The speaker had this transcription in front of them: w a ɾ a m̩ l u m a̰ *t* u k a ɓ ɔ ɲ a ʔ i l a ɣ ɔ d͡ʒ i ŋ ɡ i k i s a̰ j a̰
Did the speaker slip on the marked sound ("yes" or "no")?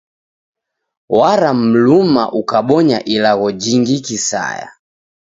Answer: yes